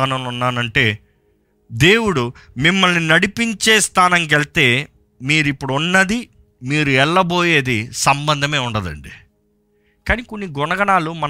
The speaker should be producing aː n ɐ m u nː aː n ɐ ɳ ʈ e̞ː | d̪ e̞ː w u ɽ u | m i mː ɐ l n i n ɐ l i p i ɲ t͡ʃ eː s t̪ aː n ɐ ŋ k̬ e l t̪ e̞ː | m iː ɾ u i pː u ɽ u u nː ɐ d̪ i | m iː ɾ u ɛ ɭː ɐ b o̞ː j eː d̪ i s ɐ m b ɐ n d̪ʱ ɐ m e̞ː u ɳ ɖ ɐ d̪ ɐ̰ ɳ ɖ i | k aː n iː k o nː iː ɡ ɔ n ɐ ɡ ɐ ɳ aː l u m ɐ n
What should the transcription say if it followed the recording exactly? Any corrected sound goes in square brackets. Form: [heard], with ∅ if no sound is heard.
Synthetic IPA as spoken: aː n ɐ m u nː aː n ɐ ɳ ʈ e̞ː | d̪ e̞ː w u ɽ u | m i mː ɐ l n i n ɐ [ɽ] i p i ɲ t͡ʃ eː s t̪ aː n ɐ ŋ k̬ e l t̪ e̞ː | m iː ɾ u i pː u ɽ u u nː ɐ d̪ i | m iː ɾ u ɛ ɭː ɐ b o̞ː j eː d̪ i s ɐ m b ɐ n d̪ʱ ɐ m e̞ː u ɳ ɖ ɐ d̪ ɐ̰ ɳ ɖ i | k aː n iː k o nː [i] ɡ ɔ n ɐ ɡ ɐ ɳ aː l u m ɐ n